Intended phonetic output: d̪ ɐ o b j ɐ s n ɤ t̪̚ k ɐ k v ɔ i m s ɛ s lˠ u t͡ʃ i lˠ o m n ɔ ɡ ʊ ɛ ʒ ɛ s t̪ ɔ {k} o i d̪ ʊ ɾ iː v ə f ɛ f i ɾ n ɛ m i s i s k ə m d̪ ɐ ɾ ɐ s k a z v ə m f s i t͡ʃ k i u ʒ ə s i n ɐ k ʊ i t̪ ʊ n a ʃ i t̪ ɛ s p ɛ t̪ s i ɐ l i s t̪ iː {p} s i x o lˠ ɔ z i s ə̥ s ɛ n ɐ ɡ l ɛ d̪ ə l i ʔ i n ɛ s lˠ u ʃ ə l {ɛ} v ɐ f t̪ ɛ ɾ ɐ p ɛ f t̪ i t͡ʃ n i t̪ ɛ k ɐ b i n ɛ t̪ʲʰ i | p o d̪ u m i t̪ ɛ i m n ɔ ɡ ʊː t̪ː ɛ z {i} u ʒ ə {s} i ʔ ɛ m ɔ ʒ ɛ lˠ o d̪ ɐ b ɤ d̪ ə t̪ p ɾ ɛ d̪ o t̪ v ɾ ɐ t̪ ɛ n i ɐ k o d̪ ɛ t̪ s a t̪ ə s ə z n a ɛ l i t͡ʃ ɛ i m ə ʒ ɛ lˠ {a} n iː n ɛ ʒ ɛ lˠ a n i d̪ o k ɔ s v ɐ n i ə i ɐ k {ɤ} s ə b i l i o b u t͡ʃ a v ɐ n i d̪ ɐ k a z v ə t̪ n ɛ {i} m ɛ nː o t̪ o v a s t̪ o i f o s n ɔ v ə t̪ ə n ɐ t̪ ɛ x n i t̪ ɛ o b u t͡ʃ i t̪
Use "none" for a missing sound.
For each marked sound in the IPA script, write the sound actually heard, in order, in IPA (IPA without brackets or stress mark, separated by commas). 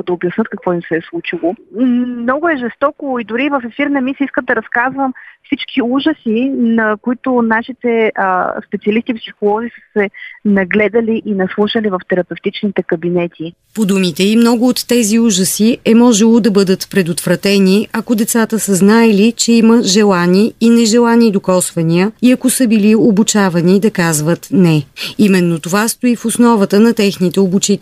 k, p, i, i, s, a, o, i